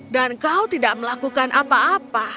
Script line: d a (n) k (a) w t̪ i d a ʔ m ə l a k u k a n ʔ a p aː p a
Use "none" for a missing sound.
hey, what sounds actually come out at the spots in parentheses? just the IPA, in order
n, a

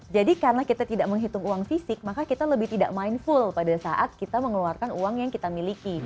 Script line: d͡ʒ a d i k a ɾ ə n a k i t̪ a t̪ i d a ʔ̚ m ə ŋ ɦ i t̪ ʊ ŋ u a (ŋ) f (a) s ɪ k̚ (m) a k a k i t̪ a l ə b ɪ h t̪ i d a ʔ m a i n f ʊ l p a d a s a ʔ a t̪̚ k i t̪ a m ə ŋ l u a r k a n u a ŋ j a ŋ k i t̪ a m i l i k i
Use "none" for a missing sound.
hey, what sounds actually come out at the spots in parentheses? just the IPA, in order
ŋ, i, m

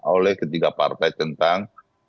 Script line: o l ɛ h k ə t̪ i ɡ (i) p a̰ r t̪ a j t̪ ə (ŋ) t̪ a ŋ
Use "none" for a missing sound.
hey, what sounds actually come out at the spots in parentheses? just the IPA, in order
a, n

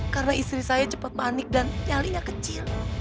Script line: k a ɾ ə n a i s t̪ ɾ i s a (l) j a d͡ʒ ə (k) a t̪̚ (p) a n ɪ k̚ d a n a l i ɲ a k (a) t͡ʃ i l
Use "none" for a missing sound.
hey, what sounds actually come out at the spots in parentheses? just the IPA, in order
none, p, p, ə

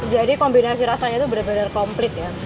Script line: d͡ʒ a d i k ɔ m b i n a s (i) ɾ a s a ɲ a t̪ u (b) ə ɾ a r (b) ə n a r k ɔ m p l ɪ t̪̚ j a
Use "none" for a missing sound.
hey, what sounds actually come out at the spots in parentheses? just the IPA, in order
i, b, b

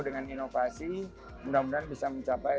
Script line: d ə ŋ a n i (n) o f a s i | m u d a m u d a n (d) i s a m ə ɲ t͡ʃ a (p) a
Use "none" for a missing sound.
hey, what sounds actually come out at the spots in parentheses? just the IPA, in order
n, b, p

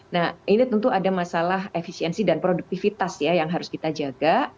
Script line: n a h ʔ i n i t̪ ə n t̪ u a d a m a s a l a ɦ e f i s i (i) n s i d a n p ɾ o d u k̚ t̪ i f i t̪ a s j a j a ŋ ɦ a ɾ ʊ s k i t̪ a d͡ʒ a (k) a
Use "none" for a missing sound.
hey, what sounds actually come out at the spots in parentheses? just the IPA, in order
ɛ, ɡ

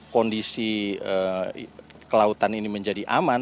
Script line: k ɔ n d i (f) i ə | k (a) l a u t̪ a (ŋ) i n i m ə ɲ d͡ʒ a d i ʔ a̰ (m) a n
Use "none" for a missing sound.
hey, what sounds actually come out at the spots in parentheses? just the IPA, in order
s, ə, n, m

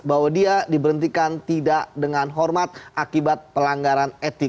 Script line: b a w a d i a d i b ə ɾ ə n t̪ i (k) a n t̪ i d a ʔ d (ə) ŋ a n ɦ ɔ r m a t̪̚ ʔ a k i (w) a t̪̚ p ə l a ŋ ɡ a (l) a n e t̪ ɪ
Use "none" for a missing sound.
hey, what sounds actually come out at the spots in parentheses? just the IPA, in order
k, ə, b, ɾ

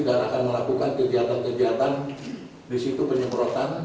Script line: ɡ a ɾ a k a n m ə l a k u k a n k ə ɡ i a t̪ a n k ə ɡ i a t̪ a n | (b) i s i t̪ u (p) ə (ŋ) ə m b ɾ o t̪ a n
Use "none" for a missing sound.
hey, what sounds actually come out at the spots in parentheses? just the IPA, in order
d, p, ɲ

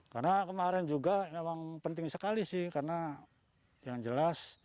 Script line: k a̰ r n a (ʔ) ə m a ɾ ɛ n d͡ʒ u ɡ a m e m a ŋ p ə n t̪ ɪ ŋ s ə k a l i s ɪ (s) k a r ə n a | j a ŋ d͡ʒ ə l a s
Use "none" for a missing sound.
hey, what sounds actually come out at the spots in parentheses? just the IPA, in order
k, h

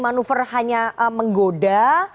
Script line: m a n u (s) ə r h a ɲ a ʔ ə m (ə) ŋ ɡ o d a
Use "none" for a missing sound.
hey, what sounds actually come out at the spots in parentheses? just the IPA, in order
f, ə

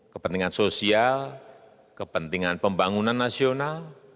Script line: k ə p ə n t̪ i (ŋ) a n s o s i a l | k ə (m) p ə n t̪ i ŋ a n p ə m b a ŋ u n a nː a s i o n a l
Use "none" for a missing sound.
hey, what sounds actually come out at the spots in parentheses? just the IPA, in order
ŋ, none

